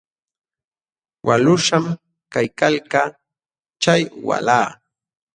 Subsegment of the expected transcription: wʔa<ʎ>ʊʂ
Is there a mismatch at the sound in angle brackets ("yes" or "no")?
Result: yes